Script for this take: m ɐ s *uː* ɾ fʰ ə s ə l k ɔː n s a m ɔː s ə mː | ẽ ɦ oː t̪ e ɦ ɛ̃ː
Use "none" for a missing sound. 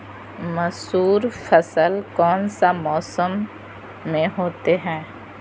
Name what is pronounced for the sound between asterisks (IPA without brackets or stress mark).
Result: uː